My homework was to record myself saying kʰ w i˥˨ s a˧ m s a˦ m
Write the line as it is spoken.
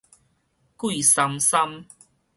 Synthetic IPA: k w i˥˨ s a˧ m s a˦ m